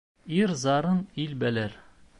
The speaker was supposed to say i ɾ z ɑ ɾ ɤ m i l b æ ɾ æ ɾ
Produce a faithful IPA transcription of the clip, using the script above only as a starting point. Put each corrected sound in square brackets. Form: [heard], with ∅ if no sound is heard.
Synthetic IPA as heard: i ɾ z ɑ ɾ ɤ [n] i l b æ [l] æ ɾ